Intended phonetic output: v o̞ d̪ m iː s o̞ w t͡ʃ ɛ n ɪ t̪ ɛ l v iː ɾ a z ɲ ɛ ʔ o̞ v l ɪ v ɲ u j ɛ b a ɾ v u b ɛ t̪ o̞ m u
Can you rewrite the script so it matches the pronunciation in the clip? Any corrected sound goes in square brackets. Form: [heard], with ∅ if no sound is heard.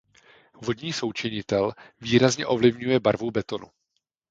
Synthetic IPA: v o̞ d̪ [ɲ] iː s o̞ w t͡ʃ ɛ [ɲ] ɪ t̪ ɛ l v iː ɾ a z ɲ ɛ ʔ o̞ v l ɪ v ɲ u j ɛ b a ɾ v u b ɛ t̪ o̞ [n] u